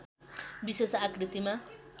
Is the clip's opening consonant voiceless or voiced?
voiced